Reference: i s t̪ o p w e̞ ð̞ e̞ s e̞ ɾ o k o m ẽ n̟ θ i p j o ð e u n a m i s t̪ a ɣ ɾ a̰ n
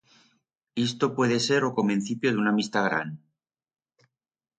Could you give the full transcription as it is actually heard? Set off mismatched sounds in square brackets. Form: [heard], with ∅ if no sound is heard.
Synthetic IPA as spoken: i s t̪ o p w e̞ ð̞ e̞ s e̞ ɾ o k o m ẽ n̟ θ i p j o ð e u n a m i s t̪ a ɣ ɾ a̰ n